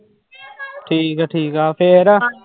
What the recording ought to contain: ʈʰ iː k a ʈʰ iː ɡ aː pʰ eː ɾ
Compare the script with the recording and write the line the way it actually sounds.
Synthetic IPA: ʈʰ iː k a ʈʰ iː k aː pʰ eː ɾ